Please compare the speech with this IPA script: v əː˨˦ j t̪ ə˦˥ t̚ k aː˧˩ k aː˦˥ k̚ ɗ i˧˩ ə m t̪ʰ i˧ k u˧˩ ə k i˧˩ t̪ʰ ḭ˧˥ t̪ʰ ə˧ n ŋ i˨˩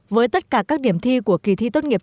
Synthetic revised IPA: v əː˨˦ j t̪ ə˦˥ t̚ k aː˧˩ k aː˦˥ k̚ ɗ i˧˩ ə m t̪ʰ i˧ k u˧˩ ə k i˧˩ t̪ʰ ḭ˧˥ t̪ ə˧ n ŋ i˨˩